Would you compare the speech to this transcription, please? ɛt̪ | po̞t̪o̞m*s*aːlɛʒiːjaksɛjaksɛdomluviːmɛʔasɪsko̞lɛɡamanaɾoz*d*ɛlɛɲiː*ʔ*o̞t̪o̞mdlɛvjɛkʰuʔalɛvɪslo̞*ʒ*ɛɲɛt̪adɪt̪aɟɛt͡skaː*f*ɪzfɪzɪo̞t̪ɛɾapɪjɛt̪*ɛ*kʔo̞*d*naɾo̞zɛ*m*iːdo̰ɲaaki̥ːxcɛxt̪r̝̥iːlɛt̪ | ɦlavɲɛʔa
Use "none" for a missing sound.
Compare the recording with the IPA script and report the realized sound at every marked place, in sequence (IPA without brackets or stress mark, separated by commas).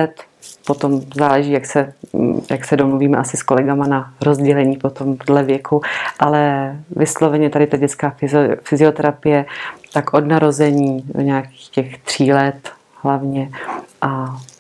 z, ɟ, p, v, f, a, d, ɲ